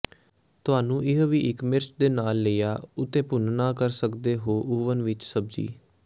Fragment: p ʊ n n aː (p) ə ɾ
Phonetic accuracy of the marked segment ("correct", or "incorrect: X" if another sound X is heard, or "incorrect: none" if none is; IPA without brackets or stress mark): incorrect: k